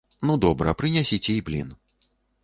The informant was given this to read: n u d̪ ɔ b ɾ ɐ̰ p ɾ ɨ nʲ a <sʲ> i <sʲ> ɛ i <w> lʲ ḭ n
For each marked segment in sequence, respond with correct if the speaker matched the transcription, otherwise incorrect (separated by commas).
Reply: correct, incorrect, incorrect